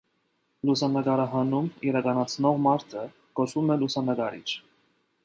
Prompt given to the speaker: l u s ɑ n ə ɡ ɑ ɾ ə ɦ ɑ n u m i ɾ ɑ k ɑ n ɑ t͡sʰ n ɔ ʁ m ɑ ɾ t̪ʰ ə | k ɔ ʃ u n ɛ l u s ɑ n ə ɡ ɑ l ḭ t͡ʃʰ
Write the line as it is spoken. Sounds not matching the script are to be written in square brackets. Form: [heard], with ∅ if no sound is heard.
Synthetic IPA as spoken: l u s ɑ n ə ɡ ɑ ɾ [ɑ] ɦ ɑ n u m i ɾ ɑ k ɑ n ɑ t͡sʰ n ɔ ʁ m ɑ ɾ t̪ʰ ə | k ɔ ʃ u [m] ɛ l u s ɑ n ə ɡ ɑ [ɾ] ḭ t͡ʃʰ